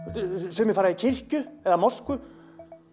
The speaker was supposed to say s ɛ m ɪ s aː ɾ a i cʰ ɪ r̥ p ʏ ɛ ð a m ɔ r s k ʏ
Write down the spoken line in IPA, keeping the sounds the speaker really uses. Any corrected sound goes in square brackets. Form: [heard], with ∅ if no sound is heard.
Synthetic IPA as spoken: s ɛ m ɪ [f] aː ɾ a i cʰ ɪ r̥ [c] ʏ ɛ ð a m ɔ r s k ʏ